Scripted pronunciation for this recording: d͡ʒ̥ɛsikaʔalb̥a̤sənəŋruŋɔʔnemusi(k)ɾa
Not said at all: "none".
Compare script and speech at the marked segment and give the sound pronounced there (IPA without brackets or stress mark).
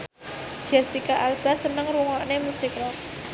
k